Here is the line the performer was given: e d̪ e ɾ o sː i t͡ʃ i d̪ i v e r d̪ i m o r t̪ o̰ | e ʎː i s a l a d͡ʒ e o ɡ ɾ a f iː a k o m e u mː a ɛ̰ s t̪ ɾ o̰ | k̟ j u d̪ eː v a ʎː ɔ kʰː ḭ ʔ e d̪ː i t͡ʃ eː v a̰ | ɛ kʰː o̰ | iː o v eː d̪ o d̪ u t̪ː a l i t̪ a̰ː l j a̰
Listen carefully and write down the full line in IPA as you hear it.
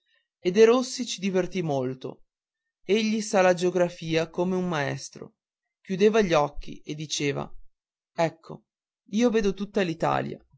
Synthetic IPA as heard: e d̪ e ɾ o sː i t͡ʃ i d̪ i v e r t̪ i m o l t̪ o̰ | e ʎː i s a l a d͡ʒ e o ɡ ɾ a f iː a k o m e u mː a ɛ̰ s t̪ ɾ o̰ | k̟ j u d̪ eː v a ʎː ɔ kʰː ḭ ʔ e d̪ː i t͡ʃ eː v a̰ | ɛ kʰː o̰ | iː o v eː d̪ o t̪ u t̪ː a l i t̪ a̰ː l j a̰